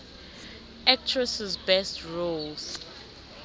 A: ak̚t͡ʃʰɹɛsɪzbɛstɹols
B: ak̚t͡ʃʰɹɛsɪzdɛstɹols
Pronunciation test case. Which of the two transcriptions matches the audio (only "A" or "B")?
A